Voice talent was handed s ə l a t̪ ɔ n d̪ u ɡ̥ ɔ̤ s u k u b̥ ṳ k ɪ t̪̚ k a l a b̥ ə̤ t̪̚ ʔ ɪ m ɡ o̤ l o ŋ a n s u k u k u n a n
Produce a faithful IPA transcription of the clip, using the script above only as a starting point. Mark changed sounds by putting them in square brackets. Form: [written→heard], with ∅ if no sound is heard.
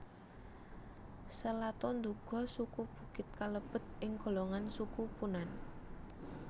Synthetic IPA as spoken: s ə l a t̪ ɔ n d̪ u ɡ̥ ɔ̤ s u k u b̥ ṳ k ɪ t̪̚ k a l [a→ə] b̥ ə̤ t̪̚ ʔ ɪ [m→ŋ] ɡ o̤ l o ŋ a n s u k u [k→p] u n a n